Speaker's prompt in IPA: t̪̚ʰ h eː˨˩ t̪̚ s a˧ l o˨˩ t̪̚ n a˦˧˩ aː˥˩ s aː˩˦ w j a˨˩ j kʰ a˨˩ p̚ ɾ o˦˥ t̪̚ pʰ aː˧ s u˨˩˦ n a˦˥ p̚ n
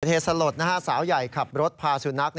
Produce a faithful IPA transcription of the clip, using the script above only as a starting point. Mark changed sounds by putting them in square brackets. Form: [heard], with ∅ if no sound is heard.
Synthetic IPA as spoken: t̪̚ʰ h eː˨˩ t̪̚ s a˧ l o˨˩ t̪̚ n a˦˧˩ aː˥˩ s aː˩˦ w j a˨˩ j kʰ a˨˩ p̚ ɾ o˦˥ t̪̚ pʰ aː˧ s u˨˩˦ n a˦˥ [k̚] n